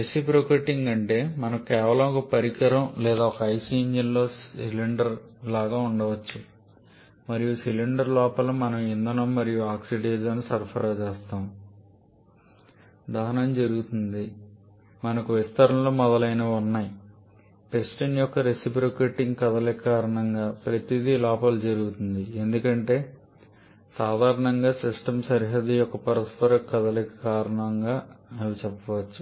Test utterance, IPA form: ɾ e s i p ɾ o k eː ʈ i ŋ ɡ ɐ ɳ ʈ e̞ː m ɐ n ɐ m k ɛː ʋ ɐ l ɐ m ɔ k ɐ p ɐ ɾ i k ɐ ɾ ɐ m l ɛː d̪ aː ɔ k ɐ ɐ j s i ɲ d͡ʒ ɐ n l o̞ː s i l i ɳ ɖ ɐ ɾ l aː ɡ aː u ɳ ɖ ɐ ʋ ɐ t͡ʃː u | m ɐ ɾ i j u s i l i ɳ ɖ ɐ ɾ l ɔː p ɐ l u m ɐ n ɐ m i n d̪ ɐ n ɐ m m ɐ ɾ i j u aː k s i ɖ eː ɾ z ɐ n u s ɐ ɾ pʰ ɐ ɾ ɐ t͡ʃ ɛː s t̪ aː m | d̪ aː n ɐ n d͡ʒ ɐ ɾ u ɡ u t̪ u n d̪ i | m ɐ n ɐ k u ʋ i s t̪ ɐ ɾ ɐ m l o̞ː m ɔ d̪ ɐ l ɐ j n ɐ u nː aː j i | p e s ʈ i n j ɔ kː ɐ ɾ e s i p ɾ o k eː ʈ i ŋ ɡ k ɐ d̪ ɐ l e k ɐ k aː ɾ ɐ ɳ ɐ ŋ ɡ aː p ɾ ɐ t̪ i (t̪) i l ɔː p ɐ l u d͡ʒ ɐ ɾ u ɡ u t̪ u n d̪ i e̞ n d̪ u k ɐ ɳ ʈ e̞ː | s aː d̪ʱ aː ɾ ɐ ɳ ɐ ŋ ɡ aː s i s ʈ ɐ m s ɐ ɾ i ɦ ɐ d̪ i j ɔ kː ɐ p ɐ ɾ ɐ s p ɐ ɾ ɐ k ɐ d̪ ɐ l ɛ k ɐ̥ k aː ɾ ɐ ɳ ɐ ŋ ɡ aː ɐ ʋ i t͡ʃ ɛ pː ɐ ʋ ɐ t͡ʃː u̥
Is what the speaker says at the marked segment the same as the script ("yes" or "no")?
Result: no